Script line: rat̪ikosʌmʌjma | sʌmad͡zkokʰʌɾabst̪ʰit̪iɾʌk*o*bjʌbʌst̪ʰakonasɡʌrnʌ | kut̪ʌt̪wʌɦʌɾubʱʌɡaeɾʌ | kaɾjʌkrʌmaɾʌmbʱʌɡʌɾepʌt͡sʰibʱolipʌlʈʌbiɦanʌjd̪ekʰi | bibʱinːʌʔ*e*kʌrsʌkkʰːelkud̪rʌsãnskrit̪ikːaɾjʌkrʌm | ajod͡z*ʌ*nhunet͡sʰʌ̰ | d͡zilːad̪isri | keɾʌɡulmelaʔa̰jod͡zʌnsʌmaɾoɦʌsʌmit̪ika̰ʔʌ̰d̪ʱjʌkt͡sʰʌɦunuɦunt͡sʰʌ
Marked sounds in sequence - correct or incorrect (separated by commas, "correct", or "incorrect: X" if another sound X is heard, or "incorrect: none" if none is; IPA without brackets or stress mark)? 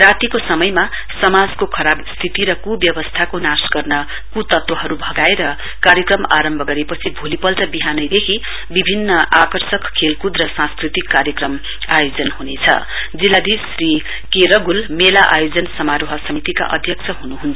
incorrect: u, incorrect: a, correct